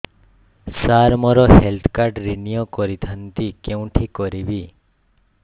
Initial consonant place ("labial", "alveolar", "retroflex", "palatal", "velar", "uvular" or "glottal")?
alveolar